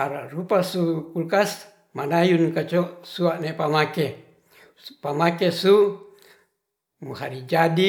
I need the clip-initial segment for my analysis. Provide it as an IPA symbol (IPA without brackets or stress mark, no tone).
a